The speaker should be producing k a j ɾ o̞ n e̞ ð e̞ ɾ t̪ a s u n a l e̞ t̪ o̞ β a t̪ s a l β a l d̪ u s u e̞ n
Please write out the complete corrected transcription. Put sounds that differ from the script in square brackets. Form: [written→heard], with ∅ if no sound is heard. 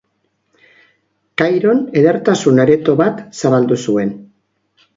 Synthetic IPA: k a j ɾ o̞ n e̞ ð e̞ ɾ t̪ a s u n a [l→ɾ] e̞ t̪ o̞ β a t̪ s a [l→∅] β a l d̪ u s u e̞ n